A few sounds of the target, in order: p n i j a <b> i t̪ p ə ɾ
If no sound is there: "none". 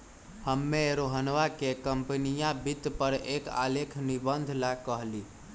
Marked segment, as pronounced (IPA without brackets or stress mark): b